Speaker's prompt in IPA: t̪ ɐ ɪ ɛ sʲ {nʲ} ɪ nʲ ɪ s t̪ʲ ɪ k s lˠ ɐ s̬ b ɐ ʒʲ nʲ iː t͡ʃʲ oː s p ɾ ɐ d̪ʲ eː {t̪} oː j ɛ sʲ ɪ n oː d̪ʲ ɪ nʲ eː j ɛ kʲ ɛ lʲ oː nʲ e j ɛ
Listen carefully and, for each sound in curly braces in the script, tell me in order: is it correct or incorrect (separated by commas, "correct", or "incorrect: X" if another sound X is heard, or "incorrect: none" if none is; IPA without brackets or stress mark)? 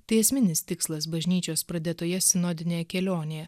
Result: incorrect: mʲ, correct